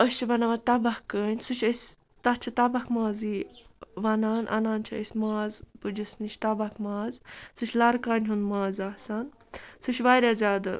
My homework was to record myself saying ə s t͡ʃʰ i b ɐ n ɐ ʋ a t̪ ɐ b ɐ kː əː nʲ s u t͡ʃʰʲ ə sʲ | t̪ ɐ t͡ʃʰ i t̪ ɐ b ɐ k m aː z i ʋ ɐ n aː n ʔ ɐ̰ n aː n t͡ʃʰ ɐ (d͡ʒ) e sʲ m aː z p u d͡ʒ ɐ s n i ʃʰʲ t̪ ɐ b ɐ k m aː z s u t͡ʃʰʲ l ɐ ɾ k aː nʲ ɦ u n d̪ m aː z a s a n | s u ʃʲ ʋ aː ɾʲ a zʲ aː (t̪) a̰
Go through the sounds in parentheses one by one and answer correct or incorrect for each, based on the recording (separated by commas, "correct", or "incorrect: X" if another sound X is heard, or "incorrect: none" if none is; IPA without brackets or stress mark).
incorrect: none, incorrect: d̪